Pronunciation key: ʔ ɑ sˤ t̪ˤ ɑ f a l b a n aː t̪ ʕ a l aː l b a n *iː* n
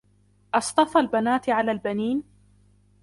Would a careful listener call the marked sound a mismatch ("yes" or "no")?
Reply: no